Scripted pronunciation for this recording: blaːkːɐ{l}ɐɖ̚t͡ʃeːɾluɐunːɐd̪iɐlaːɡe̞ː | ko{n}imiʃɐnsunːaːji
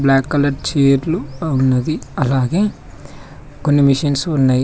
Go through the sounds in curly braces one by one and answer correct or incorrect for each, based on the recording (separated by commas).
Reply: correct, incorrect